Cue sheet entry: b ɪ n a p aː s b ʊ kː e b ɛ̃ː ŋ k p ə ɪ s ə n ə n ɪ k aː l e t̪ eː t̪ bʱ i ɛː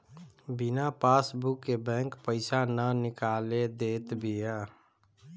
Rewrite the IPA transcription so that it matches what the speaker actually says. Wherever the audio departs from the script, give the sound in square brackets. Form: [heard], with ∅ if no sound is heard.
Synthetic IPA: b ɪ n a p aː s b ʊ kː e b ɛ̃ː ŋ k p ə ɪ s [a] n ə n ɪ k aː l e [d̪] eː t̪ bʱ i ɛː